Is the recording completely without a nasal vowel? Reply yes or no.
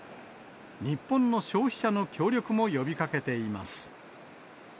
no